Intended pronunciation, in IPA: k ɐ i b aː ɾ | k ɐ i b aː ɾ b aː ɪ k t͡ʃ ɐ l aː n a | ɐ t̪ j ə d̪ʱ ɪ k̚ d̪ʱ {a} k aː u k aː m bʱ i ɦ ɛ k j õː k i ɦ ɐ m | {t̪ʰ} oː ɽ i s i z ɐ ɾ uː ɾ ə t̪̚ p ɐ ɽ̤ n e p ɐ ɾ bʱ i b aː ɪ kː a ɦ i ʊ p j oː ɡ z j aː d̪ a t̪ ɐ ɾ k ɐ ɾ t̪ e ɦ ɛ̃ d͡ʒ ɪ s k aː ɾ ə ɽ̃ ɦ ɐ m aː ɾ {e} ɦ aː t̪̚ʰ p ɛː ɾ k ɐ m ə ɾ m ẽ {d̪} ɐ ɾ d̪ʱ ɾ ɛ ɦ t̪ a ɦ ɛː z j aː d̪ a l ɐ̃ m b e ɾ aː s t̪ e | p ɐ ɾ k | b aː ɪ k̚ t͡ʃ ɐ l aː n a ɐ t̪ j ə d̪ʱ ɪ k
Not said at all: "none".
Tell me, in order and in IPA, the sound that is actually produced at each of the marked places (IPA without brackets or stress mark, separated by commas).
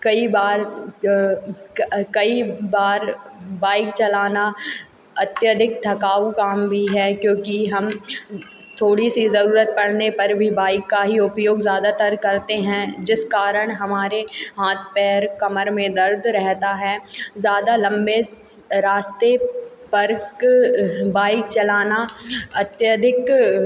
ɐ, t̪ʰ, e, d̪